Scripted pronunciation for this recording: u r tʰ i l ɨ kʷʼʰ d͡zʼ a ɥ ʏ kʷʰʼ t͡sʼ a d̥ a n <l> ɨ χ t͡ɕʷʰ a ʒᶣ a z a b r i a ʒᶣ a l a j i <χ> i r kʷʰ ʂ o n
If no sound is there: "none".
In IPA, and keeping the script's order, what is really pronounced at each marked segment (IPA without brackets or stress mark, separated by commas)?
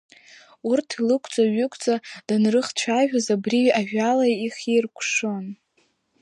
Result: r, χ